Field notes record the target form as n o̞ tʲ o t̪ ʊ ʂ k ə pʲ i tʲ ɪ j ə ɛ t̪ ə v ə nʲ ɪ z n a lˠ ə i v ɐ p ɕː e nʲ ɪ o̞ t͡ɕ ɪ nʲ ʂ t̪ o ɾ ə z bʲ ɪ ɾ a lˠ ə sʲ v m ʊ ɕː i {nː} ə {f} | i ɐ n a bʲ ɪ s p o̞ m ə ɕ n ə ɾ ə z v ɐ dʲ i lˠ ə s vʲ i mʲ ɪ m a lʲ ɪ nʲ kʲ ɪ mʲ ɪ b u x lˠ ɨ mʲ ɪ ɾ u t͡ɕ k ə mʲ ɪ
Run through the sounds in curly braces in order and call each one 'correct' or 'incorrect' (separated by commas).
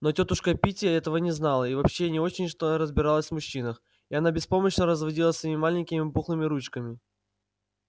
incorrect, incorrect